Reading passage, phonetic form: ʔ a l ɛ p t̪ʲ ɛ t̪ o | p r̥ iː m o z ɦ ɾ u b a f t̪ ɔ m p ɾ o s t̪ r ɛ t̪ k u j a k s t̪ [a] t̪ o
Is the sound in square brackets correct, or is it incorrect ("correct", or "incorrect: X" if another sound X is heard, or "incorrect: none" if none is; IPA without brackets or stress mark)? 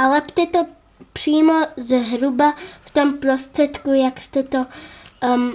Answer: incorrect: ɛ